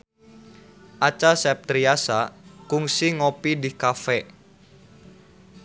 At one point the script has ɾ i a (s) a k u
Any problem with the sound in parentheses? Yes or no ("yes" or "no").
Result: no